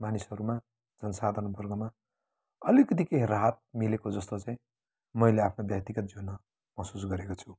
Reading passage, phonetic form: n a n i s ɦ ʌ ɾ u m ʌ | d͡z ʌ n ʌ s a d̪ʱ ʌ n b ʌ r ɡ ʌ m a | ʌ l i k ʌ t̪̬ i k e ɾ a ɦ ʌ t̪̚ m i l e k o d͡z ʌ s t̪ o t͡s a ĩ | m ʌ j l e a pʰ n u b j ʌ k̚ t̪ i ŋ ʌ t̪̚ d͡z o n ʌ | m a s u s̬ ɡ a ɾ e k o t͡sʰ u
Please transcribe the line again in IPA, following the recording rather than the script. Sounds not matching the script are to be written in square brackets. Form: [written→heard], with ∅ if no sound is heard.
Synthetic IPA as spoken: [n→m] a n i s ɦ ʌ ɾ u m [ʌ→a] | d͡z ʌ n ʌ s a d̪ʱ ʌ n b ʌ r ɡ ʌ m a | ʌ l i k ʌ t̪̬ i k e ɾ a ɦ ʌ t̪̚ m i l e k o d͡z ʌ s t̪ o t͡s a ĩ | m ʌ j l e a pʰ n [u→o] b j ʌ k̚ t̪ i [ŋ→ɡ] ʌ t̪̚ d͡z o n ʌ | m [a→ʌ] s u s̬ ɡ [a→ʌ] ɾ e k o t͡sʰ u